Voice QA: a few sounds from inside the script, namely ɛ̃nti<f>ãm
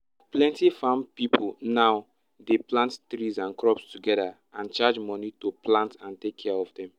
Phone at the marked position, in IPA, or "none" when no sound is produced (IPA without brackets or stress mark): f